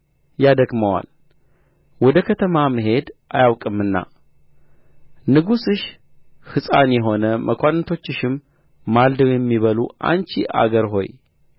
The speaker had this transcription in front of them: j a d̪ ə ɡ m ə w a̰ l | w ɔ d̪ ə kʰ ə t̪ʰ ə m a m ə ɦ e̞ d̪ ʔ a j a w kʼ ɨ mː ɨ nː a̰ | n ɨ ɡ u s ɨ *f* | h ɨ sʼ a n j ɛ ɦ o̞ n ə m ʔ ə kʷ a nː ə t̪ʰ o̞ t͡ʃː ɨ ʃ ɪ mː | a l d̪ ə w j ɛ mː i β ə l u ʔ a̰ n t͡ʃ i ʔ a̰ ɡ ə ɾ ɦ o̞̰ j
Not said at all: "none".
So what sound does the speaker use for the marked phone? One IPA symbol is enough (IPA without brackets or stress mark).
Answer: ʃ